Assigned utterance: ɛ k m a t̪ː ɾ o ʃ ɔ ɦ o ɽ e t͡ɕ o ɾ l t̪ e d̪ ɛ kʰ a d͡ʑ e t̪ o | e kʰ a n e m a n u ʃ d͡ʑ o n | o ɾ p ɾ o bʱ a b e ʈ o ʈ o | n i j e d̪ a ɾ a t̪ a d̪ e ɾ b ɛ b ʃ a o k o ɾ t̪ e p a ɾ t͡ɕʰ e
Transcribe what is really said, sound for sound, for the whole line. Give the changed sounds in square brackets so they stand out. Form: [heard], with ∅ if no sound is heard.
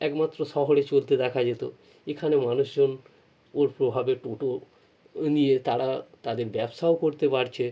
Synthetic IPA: ɛ k m a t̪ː ɾ o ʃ ɔ ɦ o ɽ e t͡ɕ o [∅] l t̪ e d̪ ɛ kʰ a d͡ʑ e t̪ o | e kʰ a n e m a n u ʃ d͡ʑ o n | o ɾ p ɾ o bʱ a b e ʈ o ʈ o | n i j e [t̪] a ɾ a t̪ a d̪ e ɾ b ɛ b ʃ a o k o ɾ t̪ e p a ɾ t͡ɕʰ e